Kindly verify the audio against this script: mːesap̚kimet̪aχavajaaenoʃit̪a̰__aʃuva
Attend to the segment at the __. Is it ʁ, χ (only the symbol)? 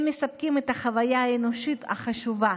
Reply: χ